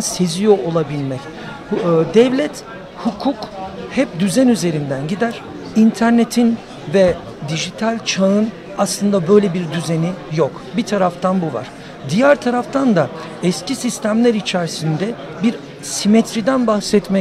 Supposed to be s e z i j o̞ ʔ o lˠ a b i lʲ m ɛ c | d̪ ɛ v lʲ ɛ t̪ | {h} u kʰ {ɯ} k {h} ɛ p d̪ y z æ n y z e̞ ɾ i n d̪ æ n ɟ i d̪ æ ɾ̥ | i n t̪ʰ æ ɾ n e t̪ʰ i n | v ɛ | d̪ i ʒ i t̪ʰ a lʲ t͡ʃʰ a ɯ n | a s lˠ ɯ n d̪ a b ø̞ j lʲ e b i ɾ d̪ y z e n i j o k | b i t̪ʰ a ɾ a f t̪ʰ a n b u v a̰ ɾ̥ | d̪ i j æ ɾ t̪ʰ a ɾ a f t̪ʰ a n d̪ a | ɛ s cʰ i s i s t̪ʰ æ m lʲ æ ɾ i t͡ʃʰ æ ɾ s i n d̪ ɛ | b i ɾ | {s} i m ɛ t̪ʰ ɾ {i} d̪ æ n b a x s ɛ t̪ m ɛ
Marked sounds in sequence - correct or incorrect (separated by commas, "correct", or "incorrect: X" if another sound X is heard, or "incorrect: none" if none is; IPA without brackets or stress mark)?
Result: correct, incorrect: u, correct, correct, correct